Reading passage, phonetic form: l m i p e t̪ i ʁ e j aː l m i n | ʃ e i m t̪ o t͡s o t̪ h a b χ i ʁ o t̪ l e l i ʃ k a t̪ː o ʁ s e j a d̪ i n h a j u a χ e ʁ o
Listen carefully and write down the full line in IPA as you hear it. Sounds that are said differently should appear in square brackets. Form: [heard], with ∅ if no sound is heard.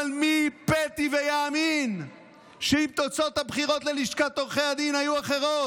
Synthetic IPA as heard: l m i p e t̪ i [v] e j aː [∅] m i n | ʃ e i m t̪ o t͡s o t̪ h a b χ i ʁ o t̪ l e l i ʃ k a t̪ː o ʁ [χ] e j a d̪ i n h a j u a χ e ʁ o